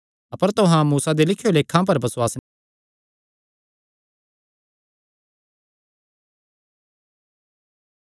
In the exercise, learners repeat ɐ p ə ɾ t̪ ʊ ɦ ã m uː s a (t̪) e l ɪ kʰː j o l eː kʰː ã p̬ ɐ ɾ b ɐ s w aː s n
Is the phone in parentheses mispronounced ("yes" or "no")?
yes